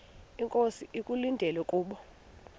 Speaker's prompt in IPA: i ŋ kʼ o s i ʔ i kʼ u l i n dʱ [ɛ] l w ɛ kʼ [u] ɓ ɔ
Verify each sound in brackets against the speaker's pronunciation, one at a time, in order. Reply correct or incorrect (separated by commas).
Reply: correct, incorrect